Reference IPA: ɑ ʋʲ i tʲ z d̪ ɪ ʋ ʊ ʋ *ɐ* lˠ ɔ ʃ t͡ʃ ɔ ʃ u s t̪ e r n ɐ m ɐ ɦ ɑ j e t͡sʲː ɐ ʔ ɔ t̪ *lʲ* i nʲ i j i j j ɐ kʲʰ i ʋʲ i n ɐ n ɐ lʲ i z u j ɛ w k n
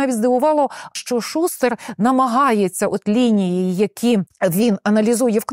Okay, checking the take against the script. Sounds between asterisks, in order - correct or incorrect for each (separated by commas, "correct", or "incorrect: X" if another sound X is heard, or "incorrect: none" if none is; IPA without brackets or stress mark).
incorrect: ɑ, correct